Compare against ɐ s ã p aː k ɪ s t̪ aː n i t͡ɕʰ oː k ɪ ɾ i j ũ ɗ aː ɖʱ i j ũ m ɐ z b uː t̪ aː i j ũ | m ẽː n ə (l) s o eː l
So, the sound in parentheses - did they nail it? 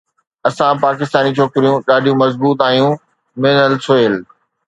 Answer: yes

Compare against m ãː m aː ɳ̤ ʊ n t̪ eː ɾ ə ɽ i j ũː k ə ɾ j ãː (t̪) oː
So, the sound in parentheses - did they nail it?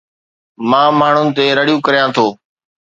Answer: no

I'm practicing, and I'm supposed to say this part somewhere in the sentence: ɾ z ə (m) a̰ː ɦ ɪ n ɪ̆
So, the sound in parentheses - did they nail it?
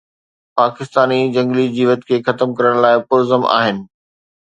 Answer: yes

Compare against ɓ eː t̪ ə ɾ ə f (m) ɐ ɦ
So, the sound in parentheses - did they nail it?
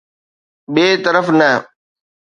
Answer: no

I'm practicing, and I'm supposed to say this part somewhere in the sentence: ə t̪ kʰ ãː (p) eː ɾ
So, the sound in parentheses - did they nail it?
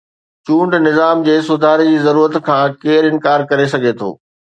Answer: no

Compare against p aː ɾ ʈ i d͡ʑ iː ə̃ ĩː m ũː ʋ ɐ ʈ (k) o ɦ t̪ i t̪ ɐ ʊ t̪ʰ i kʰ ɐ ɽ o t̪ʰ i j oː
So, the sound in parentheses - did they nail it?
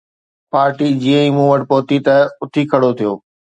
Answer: no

